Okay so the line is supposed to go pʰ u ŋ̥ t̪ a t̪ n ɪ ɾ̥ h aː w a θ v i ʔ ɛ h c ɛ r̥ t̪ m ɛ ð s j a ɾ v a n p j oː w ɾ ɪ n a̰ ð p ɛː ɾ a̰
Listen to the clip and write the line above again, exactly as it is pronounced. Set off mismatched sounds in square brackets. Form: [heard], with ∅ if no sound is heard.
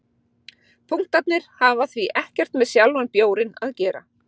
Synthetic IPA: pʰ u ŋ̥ t̪ a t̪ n ɪ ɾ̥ h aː [v] a θ v i ʔ ɛ h c ɛ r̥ t̪ m ɛ ð s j a [l] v a n p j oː w ɾ ɪ n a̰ ð [c] ɛː ɾ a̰